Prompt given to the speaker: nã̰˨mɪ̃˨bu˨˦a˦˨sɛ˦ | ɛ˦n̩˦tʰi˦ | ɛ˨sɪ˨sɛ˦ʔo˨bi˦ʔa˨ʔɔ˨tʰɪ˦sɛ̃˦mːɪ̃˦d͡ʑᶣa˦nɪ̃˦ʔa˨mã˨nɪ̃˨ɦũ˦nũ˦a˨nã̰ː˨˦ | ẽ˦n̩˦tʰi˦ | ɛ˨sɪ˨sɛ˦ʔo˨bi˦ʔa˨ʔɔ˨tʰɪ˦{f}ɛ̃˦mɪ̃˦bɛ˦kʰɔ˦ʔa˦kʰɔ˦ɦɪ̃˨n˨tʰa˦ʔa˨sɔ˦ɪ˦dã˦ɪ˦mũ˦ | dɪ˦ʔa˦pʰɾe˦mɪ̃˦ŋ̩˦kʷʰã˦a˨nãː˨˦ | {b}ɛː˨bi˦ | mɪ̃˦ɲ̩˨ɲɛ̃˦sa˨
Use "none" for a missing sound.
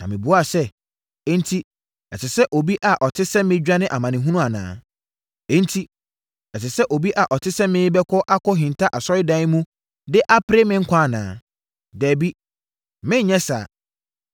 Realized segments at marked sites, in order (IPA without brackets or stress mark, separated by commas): s, d